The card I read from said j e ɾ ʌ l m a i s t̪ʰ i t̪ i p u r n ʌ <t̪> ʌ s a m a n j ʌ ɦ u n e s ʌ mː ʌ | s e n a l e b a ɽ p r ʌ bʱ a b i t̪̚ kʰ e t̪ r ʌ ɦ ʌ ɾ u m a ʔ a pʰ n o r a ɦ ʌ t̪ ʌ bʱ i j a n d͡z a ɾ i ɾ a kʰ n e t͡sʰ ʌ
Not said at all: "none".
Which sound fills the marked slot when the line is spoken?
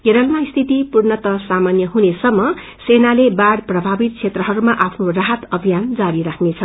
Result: t̪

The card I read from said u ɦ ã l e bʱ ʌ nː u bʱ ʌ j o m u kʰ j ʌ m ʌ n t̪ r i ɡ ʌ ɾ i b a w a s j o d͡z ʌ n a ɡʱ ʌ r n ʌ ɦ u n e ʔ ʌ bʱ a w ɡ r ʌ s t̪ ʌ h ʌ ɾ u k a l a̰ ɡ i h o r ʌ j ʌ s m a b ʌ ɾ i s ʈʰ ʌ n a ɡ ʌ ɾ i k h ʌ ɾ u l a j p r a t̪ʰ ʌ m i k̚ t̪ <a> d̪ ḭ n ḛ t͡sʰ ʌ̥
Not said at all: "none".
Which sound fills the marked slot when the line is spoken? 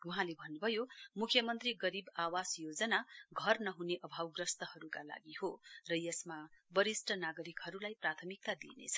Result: a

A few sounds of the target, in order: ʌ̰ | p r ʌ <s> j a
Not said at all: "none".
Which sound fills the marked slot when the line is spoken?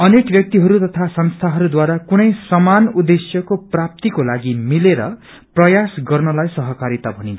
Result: none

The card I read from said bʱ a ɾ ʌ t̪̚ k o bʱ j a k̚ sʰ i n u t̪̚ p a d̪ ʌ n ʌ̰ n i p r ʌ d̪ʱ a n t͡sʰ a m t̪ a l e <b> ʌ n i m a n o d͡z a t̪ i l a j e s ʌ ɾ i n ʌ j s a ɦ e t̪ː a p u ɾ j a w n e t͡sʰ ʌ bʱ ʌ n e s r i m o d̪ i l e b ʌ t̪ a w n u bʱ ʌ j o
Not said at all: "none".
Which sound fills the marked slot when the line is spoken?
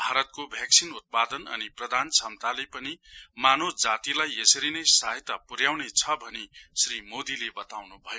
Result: p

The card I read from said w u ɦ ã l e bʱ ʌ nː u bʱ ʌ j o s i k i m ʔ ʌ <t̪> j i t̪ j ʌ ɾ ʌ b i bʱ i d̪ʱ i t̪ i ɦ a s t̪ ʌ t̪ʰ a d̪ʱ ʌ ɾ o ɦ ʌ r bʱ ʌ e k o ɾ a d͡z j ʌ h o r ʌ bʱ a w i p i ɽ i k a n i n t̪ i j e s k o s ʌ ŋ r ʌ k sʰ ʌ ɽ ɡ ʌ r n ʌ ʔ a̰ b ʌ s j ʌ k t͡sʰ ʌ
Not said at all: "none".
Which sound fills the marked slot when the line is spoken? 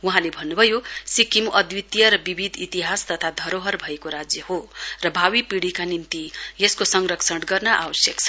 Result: d̪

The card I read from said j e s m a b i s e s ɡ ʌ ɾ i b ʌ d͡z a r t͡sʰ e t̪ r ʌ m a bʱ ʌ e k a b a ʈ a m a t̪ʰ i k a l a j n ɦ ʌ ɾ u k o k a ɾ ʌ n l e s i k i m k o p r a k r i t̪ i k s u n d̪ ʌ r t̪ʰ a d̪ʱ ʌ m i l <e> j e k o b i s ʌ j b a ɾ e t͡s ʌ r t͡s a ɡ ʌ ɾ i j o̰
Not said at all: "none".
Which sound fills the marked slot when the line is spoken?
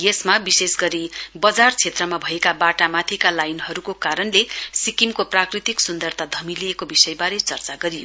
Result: i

